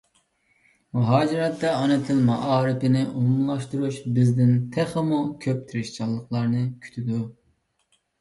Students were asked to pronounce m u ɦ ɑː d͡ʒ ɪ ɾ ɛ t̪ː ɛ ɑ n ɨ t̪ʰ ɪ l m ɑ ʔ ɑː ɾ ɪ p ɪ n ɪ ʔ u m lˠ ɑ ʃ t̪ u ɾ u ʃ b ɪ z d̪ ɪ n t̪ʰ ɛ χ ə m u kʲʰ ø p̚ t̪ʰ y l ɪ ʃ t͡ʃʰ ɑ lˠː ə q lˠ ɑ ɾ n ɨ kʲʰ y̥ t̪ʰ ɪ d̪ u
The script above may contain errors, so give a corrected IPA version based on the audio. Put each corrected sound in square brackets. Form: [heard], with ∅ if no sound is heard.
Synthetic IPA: m u ɦ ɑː d͡ʒ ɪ ɾ ɛ t̪ː ɛ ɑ n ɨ t̪ʰ ɪ l m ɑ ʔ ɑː ɾ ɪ p ɪ n ɪ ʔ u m lˠ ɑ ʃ t̪ u ɾ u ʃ b ɪ z d̪ ɪ n t̪ʰ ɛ χ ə m u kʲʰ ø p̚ t̪ʰ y [ɾ] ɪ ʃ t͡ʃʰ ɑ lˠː ə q lˠ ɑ ɾ n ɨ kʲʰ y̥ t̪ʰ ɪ d̪ u